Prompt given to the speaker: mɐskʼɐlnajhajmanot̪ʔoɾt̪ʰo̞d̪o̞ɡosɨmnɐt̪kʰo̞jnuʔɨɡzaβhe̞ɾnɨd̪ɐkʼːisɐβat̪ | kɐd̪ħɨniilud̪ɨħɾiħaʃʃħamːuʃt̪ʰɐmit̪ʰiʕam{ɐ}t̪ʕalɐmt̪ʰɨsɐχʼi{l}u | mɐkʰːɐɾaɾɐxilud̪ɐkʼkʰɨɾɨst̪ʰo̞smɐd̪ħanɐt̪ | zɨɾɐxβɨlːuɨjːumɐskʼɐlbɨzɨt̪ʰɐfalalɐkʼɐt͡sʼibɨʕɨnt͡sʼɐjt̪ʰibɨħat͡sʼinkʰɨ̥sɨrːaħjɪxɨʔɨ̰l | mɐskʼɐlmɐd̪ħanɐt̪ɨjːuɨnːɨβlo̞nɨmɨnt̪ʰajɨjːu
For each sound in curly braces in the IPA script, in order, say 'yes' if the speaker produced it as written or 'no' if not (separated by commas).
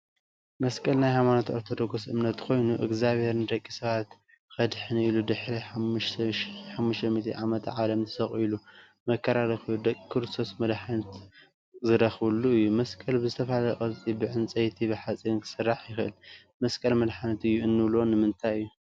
yes, yes